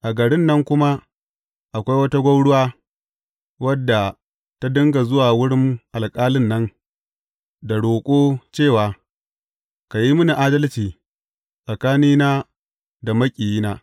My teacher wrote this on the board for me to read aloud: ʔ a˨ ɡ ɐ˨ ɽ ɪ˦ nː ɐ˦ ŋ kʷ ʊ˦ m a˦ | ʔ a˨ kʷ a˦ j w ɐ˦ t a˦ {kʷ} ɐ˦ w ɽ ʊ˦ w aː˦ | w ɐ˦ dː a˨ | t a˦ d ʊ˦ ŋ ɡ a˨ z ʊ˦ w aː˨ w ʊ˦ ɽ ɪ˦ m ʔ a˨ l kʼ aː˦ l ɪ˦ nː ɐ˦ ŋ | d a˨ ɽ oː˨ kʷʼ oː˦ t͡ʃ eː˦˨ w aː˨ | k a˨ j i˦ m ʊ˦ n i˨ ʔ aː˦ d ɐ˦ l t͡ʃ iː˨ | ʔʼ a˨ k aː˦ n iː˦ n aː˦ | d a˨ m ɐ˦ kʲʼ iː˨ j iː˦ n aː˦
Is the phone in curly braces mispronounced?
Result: yes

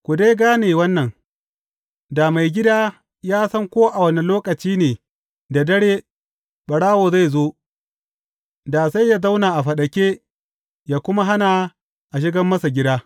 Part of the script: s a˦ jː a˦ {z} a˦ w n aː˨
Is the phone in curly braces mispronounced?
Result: no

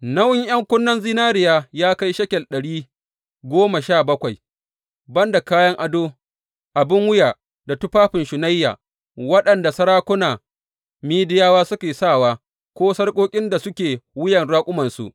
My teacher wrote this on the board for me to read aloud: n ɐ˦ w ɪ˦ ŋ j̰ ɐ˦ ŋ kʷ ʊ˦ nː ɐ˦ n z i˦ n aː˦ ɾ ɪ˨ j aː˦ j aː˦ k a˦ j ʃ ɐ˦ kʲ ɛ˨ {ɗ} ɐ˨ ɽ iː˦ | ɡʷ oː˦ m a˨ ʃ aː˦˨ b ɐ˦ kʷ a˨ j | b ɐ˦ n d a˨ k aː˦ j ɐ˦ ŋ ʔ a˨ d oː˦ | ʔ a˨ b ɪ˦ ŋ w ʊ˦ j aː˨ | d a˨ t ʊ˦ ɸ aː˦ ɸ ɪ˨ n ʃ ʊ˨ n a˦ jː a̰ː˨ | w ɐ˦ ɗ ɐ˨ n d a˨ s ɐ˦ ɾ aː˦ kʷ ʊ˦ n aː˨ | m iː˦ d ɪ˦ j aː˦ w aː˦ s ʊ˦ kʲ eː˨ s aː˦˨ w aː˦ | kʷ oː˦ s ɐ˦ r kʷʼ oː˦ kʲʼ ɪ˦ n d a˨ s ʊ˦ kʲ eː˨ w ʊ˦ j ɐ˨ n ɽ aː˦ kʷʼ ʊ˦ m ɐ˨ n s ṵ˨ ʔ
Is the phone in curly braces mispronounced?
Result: no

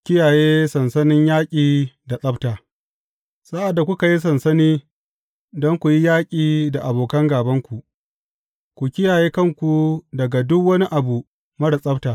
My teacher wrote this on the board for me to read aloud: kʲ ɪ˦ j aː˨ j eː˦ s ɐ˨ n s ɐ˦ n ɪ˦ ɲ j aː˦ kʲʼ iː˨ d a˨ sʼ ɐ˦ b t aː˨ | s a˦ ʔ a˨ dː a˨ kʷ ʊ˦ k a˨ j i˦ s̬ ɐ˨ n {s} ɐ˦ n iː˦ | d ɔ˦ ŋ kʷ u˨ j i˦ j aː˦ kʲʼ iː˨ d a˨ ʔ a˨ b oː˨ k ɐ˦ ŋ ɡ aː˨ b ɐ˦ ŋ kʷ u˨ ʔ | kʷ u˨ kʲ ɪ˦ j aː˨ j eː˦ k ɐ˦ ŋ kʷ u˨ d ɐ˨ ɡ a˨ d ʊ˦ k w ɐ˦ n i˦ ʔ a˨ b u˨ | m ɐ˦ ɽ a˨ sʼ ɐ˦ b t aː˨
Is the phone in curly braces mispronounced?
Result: no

